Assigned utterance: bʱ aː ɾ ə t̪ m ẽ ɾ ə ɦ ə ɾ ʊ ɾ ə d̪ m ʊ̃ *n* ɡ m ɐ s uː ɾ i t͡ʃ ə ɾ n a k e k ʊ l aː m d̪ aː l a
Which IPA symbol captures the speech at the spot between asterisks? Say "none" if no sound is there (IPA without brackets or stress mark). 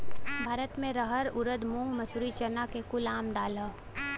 ŋ